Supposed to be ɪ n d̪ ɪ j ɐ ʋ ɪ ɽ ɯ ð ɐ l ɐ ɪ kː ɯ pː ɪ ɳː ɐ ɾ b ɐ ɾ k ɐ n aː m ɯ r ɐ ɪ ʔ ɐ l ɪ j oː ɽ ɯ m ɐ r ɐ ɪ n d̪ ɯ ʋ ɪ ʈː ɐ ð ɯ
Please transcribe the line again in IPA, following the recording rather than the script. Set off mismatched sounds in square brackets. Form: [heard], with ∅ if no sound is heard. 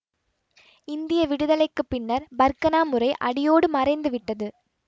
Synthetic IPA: ɪ n d̪ ɪ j ɐ ʋ ɪ ɽ ɯ ð ɐ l ɐ ɪ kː ɯ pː ɪ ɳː ɐ ɾ b ɐ ɾ k ɐ n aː m ɯ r ɐ ɪ ʔ ɐ [ɽ] ɪ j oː ɽ ɯ m ɐ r ɐ ɪ n d̪ ɯ ʋ ɪ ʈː ɐ ð ɯ